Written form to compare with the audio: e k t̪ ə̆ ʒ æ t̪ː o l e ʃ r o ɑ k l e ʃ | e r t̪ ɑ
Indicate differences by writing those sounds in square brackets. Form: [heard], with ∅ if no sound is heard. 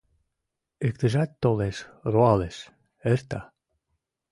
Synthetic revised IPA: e k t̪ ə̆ ʒ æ t̪ː o l e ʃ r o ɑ [∅] l e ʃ | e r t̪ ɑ